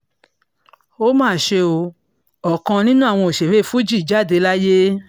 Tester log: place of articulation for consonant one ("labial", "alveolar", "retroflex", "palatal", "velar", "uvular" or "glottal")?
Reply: labial